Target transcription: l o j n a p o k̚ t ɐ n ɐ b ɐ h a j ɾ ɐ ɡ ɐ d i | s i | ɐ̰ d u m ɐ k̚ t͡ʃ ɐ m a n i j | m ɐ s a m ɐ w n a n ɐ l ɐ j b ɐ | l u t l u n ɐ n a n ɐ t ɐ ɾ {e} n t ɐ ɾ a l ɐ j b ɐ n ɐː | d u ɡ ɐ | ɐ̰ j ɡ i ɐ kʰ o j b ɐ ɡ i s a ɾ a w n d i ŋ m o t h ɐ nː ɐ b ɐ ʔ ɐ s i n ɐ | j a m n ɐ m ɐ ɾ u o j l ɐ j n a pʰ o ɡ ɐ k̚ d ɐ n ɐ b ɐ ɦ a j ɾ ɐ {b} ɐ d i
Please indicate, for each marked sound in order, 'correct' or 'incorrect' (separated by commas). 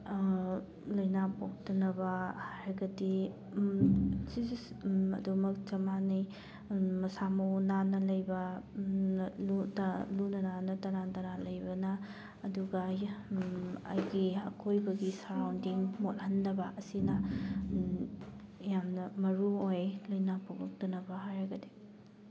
incorrect, incorrect